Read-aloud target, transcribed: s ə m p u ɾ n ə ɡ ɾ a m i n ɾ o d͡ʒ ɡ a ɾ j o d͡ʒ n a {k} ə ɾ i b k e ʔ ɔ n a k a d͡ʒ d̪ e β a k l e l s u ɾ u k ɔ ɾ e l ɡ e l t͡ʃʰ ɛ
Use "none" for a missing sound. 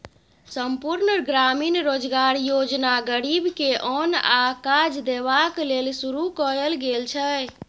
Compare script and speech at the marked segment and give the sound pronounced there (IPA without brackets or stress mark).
ɡ